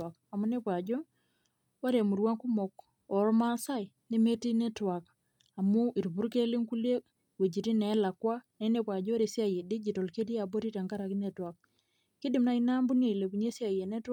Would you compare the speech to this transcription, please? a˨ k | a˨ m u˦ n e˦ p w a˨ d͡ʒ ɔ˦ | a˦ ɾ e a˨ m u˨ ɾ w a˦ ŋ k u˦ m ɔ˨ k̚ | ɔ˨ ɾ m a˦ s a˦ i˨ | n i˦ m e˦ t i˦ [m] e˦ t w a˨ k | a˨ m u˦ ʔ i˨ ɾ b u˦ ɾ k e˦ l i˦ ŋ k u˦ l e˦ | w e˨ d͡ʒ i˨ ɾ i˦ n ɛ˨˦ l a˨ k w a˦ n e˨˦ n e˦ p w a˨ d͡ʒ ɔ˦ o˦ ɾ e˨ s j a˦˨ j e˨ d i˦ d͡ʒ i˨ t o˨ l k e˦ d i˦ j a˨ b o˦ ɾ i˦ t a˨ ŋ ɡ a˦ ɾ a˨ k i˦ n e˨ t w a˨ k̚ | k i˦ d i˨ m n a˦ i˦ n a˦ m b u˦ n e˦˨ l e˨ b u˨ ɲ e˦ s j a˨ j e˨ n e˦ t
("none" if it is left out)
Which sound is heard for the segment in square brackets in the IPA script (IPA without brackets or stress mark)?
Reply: n